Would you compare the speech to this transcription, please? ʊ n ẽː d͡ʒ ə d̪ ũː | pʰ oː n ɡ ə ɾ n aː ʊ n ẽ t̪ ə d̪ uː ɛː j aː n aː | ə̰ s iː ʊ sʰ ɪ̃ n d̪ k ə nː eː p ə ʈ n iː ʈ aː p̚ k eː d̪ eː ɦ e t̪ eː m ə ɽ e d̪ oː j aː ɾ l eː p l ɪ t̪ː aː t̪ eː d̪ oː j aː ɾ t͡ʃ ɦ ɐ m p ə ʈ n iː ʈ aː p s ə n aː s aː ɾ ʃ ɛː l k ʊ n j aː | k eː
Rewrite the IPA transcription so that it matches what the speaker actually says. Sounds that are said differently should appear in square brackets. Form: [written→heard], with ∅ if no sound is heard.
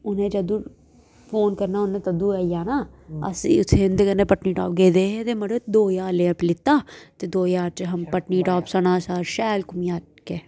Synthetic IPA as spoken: ʊ n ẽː d͡ʒ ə d̪ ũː | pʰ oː n [ɡ→k] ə ɾ n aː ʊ n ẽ t̪ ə d̪ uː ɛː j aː n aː | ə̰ s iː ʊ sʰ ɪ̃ n d̪ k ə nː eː p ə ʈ n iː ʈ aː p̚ [k→ɡ] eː d̪ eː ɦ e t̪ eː m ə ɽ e d̪ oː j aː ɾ l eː p l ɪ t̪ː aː t̪ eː d̪ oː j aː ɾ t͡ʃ ɦ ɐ m p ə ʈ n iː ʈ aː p s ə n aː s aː ɾ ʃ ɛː l k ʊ [n→m] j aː | k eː